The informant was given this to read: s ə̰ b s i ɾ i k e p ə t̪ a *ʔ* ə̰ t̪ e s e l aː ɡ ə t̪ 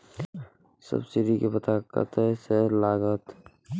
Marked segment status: incorrect: k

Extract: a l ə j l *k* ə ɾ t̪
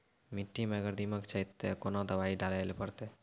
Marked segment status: incorrect: p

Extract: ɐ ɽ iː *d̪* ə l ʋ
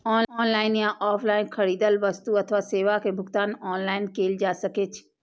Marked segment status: correct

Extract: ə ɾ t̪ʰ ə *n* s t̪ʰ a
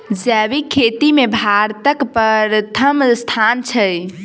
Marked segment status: incorrect: m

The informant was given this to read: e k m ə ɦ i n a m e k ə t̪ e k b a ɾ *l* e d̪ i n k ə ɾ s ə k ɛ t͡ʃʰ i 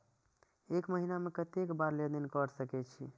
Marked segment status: correct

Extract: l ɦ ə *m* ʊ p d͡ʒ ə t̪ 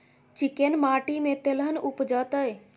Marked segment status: incorrect: n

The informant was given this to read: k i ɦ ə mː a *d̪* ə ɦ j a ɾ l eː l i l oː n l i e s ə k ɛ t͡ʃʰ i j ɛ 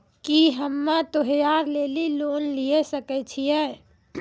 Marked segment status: incorrect: t̪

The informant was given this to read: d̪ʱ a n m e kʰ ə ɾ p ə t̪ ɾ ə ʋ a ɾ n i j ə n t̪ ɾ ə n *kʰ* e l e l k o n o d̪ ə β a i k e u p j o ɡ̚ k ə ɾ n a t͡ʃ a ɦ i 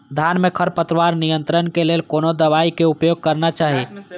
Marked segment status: incorrect: k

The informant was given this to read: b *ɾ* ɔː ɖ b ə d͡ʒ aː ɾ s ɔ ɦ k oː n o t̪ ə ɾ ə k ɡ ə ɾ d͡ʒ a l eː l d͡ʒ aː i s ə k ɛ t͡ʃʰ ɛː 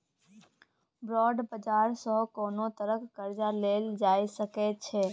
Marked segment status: correct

